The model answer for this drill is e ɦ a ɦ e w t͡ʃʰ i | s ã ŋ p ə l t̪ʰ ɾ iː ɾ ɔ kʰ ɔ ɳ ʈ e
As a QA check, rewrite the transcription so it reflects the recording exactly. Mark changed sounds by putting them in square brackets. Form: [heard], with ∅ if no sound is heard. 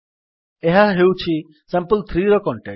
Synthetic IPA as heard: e ɦ a ɦ e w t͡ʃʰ i | s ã [m] p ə l t̪ʰ ɾ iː ɾ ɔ [k] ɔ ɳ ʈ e